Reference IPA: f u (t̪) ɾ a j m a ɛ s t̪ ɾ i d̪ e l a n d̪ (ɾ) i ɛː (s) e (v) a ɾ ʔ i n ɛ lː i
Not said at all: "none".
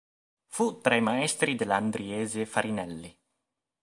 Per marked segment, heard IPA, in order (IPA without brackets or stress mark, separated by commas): t̪, ɾ, z, f